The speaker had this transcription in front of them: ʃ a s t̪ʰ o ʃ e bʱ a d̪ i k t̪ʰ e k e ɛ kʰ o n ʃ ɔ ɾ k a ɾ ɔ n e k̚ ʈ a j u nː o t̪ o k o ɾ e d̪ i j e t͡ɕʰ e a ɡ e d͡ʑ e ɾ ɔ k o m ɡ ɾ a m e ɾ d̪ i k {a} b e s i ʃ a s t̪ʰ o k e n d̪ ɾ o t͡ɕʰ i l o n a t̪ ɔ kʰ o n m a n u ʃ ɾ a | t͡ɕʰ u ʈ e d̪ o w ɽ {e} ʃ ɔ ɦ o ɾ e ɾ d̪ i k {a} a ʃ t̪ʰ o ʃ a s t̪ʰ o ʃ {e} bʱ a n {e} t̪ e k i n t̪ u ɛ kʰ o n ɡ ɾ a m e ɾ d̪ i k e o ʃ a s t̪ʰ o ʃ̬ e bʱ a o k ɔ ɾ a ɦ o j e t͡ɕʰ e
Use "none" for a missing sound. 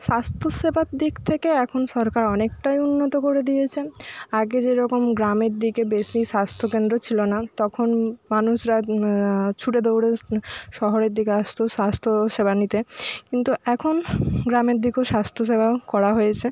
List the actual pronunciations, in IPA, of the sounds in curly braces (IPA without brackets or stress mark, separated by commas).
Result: e, e, e, e, i